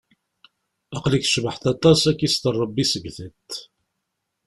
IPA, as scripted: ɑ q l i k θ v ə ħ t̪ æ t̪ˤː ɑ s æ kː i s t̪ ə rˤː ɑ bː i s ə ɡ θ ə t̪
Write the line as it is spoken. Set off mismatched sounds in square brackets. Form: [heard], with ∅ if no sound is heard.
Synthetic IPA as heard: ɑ q l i k [ʃ] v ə ħ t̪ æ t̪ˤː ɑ s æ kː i s t̪ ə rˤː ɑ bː i s ə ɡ θ ə t̪

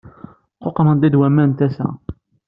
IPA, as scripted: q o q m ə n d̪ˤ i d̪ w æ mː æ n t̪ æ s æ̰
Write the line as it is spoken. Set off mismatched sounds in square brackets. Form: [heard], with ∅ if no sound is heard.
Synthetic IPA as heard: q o q m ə n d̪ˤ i d̪ w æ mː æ n t̪ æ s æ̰

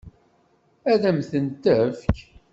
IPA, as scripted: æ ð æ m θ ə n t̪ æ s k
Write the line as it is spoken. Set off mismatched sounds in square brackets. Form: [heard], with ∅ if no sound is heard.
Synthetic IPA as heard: æ ð æ m θ ə n t̪ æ [f] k

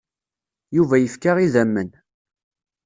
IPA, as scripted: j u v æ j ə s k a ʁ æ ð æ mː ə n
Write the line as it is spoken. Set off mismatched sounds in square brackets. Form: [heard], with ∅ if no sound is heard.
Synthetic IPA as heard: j u v æ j ə [f] k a ʁ [i] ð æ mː ə n

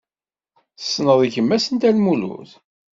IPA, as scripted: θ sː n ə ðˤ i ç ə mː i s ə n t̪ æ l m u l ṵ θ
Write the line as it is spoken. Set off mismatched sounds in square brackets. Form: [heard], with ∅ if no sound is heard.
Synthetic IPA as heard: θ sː n ə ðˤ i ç ə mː [æ] s ə n t̪ æ l m u l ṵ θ

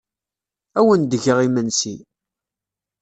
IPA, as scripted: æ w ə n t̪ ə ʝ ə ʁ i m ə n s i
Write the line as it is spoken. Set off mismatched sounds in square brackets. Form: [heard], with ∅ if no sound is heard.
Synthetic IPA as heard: æ w ə n [d̪] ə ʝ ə ʁ i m ə n s i

